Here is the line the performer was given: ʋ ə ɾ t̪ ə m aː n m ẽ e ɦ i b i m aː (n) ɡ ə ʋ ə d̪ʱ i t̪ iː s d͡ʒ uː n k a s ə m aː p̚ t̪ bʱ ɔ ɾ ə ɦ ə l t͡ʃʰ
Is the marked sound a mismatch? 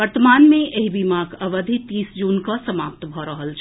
yes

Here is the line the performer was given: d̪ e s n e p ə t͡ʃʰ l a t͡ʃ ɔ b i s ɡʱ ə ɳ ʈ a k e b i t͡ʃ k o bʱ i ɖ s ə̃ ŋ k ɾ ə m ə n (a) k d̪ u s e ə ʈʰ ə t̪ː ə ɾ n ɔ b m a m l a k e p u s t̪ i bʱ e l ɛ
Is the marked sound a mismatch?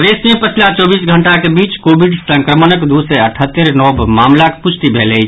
yes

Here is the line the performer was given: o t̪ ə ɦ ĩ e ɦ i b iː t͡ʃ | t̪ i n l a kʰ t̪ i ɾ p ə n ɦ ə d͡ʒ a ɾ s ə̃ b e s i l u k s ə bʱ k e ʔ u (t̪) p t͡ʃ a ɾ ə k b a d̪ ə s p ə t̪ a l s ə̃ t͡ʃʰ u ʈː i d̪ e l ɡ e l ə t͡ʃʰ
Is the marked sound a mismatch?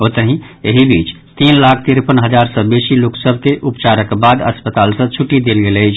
yes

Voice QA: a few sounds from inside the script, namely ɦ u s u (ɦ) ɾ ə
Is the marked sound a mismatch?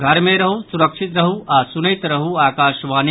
yes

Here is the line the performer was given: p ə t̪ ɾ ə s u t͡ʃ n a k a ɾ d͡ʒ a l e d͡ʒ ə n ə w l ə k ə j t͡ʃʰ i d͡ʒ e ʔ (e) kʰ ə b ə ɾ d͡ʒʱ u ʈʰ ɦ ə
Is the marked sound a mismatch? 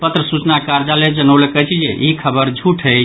yes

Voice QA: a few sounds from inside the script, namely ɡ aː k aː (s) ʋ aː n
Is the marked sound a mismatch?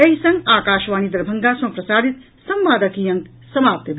yes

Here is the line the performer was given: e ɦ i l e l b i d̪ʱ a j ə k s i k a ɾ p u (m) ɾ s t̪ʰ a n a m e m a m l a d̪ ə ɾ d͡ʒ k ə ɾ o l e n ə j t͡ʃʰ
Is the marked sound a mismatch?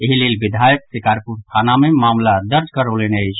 yes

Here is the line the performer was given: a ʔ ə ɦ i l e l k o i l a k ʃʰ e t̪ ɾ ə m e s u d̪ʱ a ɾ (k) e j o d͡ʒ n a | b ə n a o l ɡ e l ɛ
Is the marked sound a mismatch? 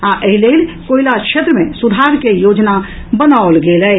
no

